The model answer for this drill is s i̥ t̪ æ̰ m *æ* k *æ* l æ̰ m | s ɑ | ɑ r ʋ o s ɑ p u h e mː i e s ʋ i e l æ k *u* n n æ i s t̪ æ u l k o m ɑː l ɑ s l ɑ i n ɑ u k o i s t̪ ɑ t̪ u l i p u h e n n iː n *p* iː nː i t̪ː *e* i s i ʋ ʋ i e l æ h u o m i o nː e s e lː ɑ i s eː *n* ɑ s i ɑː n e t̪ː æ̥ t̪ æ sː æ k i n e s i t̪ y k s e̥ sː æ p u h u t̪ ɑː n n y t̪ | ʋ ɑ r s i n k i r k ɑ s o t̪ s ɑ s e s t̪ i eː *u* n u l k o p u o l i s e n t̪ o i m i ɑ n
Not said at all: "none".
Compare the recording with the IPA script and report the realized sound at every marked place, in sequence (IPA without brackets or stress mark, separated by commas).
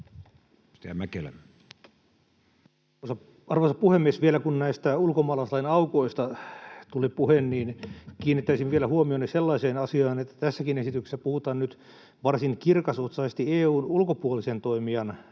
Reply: æ, e, u, k, æ, n, uː